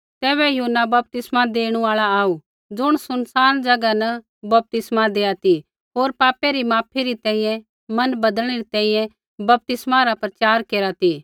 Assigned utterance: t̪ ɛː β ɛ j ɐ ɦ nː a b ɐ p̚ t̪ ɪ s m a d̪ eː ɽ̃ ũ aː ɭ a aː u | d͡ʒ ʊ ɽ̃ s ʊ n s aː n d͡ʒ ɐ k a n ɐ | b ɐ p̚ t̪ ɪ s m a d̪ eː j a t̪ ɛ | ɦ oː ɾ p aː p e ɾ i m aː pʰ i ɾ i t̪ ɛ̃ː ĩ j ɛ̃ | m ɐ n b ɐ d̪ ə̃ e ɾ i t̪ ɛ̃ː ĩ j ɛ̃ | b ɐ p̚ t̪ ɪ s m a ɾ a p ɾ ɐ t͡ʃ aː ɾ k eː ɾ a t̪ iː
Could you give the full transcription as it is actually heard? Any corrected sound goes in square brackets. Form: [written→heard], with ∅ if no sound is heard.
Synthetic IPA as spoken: t̪ ɛː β ɛ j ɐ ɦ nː a b ɐ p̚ t̪ ɪ s m a d̪ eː ɽ̃ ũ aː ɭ a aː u | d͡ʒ ʊ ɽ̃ s ʊ n s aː n d͡ʒ ɐ [k→ɡ] a n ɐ | b ɐ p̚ t̪ ɪ s m a d̪ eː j a t̪ [ɛ→i] | ɦ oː ɾ p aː p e ɾ i m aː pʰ i ɾ i t̪ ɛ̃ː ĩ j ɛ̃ | m ɐ n b ɐ d̪ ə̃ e ɾ i t̪ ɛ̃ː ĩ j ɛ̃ | b ɐ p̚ t̪ ɪ s m a ɾ a p ɾ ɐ t͡ʃ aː ɾ k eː ɾ a t̪ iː